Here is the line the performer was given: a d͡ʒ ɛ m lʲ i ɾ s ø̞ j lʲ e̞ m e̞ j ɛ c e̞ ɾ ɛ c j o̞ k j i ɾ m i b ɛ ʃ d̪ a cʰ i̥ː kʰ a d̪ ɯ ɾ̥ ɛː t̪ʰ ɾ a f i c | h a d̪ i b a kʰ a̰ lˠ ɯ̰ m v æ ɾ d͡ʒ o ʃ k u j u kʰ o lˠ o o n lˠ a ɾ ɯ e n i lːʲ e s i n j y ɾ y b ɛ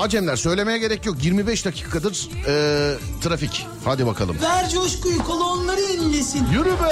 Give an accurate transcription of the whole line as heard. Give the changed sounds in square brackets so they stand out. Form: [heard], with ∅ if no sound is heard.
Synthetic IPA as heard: a d͡ʒ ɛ m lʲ [æ] ɾ s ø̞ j lʲ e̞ m e̞ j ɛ [ɟ] e̞ ɾ ɛ c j o̞ k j i ɾ m i b ɛ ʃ d̪ a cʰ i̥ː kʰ a d̪ ɯ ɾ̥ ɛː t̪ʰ ɾ a f i c | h a d̪ i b a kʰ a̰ lˠ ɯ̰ m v æ ɾ d͡ʒ o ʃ k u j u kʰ o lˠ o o n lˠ a ɾ ɯ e n i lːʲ e s i n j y ɾ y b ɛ